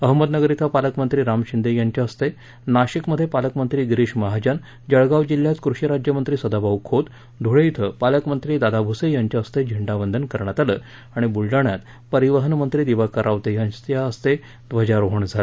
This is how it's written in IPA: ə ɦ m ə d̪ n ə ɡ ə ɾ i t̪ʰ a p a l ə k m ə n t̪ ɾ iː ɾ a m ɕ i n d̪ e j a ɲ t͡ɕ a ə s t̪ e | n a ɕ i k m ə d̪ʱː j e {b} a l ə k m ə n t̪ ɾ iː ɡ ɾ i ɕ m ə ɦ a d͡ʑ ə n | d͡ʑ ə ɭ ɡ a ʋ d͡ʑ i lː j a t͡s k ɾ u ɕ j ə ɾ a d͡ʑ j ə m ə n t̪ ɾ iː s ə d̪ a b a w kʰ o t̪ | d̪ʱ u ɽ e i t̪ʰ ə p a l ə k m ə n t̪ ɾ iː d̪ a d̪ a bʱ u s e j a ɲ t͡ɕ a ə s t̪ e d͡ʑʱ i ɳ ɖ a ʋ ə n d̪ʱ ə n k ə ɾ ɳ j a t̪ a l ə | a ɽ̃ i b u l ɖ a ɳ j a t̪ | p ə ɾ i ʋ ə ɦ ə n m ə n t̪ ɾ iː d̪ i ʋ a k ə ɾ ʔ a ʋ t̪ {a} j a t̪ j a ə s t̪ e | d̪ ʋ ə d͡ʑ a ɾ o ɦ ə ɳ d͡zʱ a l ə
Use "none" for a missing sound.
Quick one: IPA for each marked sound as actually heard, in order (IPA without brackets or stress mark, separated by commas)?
p, e